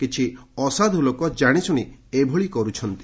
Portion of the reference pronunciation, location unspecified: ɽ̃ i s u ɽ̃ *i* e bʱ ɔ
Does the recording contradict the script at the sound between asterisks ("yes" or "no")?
no